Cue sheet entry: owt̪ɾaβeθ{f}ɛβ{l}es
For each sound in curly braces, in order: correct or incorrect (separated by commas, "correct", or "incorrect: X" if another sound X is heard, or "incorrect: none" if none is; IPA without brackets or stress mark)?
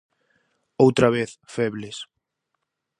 correct, correct